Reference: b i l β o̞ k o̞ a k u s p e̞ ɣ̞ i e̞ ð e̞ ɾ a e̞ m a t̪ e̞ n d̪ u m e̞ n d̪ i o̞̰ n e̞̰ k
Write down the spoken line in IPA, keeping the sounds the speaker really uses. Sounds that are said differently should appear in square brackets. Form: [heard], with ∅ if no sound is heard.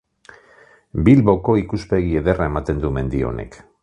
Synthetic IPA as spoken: b i l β o̞ k o̞ [i] k u s p e̞ ɣ̞ i e̞ ð e̞ [r] a e̞ m a t̪ e̞ n d̪ u m e̞ n d̪ i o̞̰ n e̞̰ k